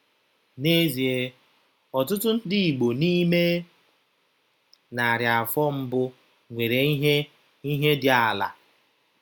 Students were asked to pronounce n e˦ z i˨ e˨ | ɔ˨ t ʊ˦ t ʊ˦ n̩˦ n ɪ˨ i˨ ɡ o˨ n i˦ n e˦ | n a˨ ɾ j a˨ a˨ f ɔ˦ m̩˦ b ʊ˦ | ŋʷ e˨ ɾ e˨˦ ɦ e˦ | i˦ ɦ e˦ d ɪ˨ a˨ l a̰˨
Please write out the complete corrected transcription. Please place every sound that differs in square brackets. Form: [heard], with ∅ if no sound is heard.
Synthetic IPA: n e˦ z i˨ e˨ | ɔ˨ t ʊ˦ t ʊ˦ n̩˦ [d] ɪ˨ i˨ [ɡ͡b] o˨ n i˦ [m] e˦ | n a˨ ɾ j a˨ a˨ f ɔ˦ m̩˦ b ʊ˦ | ŋʷ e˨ ɾ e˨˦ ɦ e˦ | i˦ ɦ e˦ d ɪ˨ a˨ l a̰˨